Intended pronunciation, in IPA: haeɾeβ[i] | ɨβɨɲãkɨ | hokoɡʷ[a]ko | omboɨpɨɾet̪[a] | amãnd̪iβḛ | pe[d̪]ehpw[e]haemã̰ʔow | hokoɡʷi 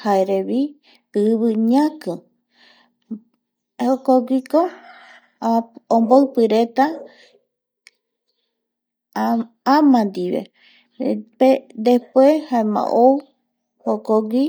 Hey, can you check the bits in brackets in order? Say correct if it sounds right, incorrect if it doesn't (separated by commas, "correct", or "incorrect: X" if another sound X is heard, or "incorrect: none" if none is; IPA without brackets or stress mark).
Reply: correct, incorrect: i, correct, correct, correct